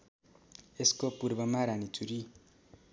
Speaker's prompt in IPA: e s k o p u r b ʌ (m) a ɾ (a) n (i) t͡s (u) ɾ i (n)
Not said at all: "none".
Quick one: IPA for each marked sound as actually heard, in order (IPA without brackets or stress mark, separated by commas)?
m, a, i, u, none